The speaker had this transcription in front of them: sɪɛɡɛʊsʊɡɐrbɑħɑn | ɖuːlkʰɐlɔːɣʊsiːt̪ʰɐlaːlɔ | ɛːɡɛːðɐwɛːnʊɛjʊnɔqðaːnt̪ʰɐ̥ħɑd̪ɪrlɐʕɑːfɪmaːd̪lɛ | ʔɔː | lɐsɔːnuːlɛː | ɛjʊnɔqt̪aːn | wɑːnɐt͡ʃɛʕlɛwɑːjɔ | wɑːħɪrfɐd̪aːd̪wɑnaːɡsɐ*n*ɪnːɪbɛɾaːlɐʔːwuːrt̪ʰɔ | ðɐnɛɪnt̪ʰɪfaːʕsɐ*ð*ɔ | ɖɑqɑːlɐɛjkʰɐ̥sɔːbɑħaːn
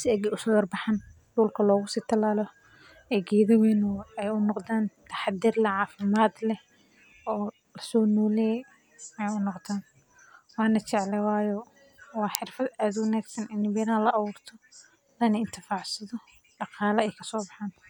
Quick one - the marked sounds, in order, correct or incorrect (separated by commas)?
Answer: correct, correct